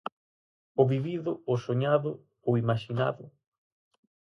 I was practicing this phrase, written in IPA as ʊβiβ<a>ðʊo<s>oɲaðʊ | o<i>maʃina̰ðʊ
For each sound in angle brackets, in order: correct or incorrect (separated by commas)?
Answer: incorrect, correct, correct